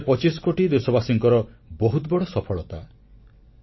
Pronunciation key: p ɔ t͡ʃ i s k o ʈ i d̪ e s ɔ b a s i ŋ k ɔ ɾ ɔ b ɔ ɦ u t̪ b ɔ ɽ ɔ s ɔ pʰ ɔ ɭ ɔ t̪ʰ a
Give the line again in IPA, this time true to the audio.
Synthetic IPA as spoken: p ɔ t͡ʃ i s k o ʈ i d̪ e s ɔ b a s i ŋ k ɔ ɾ ɔ b ɔ ɦ u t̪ b ɔ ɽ ɔ s ɔ pʰ ɔ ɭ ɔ t̪ a